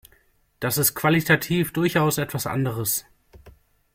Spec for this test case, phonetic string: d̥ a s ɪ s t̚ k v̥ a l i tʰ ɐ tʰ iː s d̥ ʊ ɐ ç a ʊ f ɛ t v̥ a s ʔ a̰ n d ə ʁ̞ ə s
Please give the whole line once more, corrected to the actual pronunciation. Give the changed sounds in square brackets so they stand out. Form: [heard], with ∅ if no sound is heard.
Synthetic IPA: d̥ a s ɪ s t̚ k v̥ a l i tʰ [a] tʰ iː [f] d̥ ʊ ɐ ç a ʊ [s] ɛ t v̥ a s ʔ a̰ n d ə ʁ̞ ə s